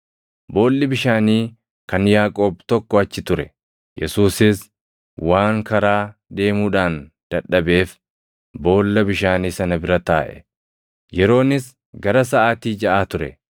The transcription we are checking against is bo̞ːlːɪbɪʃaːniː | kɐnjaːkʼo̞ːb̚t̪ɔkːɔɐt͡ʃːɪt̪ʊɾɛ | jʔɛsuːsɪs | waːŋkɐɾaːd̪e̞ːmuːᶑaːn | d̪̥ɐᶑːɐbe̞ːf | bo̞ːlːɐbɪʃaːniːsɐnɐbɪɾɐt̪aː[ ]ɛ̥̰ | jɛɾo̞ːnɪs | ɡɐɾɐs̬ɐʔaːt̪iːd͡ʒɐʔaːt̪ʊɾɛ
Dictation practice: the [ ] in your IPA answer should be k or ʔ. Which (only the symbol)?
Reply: ʔ